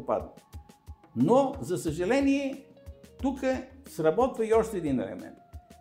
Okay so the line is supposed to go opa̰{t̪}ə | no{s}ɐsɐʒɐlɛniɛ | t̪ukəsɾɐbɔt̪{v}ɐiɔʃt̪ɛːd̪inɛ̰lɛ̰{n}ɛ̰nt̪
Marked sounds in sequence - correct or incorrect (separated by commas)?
incorrect, incorrect, correct, incorrect